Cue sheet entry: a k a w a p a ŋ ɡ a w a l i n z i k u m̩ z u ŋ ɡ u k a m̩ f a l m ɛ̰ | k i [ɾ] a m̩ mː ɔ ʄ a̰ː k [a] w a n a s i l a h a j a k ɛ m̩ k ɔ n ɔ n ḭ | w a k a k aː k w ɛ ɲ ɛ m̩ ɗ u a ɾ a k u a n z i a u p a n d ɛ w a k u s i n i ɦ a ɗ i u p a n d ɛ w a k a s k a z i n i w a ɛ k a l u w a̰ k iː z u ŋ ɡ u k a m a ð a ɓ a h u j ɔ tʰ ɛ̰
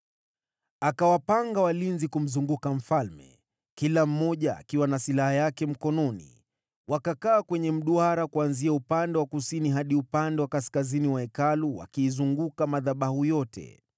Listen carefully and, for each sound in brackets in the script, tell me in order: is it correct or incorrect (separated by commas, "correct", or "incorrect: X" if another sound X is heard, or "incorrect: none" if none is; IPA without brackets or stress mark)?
incorrect: l, incorrect: i